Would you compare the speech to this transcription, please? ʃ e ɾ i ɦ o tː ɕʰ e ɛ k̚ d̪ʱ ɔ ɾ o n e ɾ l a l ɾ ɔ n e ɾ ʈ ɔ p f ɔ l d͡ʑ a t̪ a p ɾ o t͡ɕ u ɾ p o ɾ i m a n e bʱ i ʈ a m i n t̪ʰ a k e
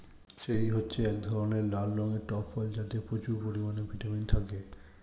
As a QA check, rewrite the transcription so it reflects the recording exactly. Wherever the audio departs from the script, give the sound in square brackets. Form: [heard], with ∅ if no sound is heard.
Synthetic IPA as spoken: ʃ e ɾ i ɦ o tː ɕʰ e ɛ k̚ d̪ʱ ɔ ɾ o n e ɾ l a l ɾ ɔ [ŋ] e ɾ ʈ ɔ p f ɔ l d͡ʑ a t̪ [e] p ɾ o t͡ɕ u ɾ p o ɾ i m a n e bʱ i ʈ a m i n t̪ʰ a k e